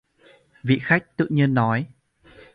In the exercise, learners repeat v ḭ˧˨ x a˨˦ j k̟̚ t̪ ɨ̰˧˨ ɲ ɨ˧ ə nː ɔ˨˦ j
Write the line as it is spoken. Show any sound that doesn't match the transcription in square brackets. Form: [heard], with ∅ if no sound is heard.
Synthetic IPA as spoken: v ḭ˧˨ x [a˦˥] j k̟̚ t̪ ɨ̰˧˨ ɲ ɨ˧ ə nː ɔ˨˦ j